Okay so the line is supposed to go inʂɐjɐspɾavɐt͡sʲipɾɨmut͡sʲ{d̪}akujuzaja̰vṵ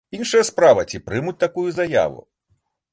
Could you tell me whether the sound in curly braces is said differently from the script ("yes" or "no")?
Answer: yes